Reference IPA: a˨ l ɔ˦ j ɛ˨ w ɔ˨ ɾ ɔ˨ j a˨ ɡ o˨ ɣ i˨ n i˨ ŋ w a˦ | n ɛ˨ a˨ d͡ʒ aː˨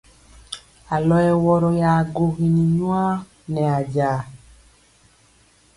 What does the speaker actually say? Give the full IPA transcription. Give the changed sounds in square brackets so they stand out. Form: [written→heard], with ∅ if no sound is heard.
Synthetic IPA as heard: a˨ l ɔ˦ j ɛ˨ w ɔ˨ ɾ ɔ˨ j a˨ ɡ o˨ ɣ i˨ n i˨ [ŋ→ɲ] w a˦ | n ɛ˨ a˨ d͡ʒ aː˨